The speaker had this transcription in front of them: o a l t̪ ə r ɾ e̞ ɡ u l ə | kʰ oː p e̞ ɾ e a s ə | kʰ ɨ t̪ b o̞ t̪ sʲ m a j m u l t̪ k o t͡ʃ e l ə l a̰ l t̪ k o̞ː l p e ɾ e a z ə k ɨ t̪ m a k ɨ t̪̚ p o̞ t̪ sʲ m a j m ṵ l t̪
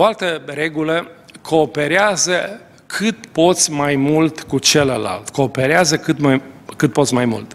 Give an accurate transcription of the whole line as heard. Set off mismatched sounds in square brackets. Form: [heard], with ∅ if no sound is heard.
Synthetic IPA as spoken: o a l t̪ ə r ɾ e̞ ɡ u l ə | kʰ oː p e̞ ɾ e a [z] ə | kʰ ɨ t̪ [p] o̞ t̪ sʲ m a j m u l t̪ k [u] t͡ʃ e l ə l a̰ l t̪ k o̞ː [∅] p e ɾ e a z ə k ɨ t̪ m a k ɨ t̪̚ p o̞ t̪ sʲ m a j m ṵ l t̪